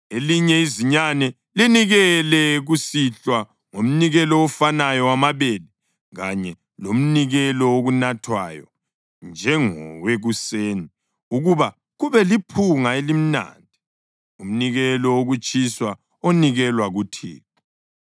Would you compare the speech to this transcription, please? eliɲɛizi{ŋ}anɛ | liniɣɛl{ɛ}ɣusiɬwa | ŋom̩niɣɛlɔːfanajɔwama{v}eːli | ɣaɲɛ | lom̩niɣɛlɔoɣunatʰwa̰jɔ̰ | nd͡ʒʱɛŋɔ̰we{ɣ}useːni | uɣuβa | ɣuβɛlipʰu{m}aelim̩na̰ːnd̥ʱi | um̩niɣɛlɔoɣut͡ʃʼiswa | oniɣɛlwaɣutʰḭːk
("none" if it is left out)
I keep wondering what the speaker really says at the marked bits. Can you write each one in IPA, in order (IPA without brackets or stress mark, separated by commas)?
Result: ɲ, ɛ, β, ɣ, ŋ